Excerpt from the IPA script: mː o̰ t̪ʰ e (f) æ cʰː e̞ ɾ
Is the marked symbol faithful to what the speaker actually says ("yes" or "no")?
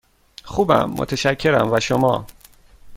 no